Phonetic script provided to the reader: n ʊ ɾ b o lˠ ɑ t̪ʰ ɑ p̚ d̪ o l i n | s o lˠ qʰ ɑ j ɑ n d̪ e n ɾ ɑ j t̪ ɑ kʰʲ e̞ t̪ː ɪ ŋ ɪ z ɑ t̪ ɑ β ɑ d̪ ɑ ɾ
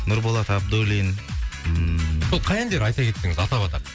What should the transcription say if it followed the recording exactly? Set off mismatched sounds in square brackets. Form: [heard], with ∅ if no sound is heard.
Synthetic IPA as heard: n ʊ ɾ b o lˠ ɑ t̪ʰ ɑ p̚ d̪ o l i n | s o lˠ qʰ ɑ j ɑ n d̪ e [∅] ɾ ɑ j t̪ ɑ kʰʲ e̞ t̪ː ɪ ŋ ɪ z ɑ t̪ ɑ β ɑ [t̪] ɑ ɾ